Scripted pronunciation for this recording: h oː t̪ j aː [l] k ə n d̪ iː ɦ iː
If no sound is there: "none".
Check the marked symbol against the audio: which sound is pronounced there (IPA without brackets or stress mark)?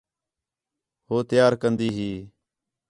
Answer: ɾ